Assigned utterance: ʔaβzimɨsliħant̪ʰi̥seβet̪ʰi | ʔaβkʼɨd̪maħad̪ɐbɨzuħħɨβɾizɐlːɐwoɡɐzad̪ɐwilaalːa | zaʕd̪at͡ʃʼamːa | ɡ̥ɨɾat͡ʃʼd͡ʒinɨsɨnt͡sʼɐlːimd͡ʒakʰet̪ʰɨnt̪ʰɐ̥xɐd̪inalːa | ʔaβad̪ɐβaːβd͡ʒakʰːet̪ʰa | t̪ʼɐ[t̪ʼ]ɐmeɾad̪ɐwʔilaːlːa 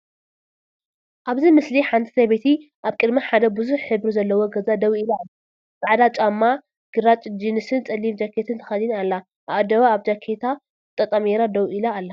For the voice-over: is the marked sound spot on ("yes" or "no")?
yes